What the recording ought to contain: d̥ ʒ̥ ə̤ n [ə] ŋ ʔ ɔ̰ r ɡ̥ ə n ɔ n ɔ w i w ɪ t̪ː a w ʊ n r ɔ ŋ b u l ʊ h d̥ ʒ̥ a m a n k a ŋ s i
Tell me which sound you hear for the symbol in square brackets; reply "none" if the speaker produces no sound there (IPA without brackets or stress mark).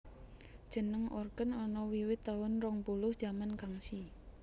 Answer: ə